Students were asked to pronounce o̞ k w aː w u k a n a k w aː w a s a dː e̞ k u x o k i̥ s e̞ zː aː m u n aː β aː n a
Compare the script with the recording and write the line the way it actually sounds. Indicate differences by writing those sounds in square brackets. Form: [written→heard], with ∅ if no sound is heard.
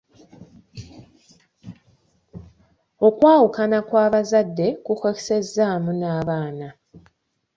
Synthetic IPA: o̞ k w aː w u k a n a k w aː [w→β] a [s→z] a dː e̞ k u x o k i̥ s e̞ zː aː m u n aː β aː n a